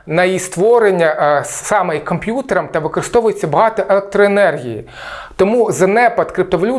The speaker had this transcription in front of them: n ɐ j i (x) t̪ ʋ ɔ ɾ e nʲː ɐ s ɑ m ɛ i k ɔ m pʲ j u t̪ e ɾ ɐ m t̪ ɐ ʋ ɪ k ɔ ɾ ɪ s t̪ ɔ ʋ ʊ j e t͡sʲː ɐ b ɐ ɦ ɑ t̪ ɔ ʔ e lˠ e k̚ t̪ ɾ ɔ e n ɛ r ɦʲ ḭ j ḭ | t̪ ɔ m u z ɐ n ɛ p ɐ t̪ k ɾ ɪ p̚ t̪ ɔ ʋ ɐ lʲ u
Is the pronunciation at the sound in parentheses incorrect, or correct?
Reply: incorrect